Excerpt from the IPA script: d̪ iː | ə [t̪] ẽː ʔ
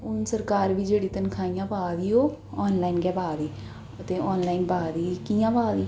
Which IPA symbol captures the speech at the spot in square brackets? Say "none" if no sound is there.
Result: t̪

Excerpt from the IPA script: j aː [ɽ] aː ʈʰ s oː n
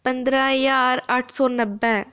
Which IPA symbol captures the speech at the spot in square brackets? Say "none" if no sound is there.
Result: ɾ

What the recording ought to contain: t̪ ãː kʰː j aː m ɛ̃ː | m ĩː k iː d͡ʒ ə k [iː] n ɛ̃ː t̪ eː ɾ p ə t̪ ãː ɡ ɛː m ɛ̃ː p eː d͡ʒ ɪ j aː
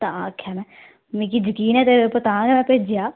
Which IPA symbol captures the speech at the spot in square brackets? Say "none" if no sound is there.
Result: iː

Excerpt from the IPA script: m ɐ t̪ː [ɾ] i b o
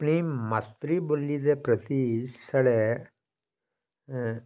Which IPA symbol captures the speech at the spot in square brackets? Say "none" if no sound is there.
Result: ɾ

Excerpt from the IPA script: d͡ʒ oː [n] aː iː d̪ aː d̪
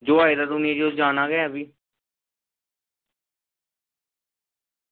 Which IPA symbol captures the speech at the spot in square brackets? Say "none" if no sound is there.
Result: none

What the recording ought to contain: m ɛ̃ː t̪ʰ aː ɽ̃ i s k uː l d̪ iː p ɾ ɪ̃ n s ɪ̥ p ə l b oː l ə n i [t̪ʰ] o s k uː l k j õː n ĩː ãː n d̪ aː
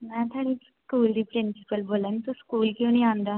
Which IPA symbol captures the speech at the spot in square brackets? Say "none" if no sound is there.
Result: t̪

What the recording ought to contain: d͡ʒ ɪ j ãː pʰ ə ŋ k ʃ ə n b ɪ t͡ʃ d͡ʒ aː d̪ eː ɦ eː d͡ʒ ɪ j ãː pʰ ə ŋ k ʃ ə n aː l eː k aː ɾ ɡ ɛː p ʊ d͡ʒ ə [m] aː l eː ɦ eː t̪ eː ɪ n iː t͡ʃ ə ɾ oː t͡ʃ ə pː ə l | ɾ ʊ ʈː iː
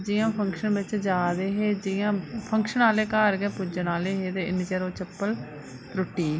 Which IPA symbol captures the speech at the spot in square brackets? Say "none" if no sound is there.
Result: n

